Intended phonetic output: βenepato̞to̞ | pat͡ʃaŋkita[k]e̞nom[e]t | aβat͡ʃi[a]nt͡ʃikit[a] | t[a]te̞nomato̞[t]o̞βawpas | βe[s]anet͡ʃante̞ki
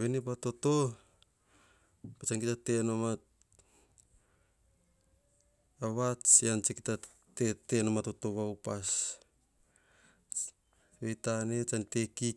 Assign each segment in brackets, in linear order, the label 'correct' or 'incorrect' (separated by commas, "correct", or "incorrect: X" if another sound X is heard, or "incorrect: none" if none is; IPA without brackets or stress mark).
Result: incorrect: t, incorrect: a, correct, correct, incorrect: e, correct, incorrect: t